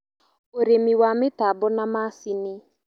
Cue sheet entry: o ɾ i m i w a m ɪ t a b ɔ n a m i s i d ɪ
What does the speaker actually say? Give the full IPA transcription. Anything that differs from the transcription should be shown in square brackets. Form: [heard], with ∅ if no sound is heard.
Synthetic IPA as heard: o ɾ [e] m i w a m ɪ t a b ɔ n a m [a] s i [n] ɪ